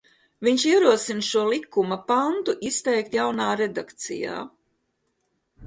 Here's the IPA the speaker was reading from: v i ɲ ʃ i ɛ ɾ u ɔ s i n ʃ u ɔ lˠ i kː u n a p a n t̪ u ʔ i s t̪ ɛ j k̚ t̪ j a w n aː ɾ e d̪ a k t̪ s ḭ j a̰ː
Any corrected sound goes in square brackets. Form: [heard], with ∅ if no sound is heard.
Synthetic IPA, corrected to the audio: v i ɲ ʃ i ɛ ɾ u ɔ s i n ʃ u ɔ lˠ i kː u [m] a p a n t̪ u ʔ i s t̪ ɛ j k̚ t̪ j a w n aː ɾ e d̪ a k t̪ s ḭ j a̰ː